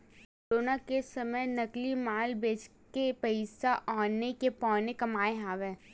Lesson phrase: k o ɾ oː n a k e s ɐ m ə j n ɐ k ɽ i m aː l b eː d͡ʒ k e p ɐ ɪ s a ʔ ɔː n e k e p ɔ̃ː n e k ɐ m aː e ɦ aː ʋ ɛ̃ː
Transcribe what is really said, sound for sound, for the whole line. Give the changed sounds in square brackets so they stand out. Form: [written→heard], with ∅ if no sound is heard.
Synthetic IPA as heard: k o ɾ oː n a k e s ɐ m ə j n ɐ k [ɽ→l] i m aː l b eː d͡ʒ k e p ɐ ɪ s a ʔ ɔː n e k e p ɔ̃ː n e k ɐ m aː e ɦ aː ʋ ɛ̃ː